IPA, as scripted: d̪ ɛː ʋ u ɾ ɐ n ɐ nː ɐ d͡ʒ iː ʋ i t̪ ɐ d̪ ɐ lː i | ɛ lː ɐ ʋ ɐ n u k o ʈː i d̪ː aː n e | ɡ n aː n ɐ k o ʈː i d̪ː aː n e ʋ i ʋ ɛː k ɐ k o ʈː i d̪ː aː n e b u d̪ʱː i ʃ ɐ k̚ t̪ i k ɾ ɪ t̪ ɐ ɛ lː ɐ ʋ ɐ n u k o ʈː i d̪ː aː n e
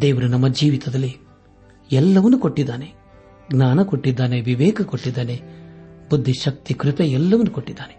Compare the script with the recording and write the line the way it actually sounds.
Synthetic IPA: d̪ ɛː ʋ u ɾ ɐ n ɐ mː ɐ d͡ʒ iː ʋ i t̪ ɐ d̪ ɐ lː i | ɛ lː ɐ ʋ ɐ n u k o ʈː i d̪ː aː n e | ɡ n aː n ɐ k o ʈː i d̪ː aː n e ʋ i ʋ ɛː k ɐ k o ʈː i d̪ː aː n e b u d̪ʱː i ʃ ɐ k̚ t̪ i k ɾ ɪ t̪ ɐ ɛ lː ɐ ʋ ɐ n u k o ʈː i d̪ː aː n e